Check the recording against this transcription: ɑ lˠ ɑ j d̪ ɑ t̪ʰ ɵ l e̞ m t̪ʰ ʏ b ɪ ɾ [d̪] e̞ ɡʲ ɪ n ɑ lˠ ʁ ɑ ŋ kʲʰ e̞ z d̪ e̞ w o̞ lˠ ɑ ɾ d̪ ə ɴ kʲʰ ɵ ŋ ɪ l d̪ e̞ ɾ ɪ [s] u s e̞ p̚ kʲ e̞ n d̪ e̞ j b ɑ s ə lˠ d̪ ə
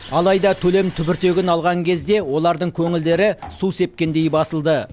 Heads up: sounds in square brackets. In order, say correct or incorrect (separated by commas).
incorrect, correct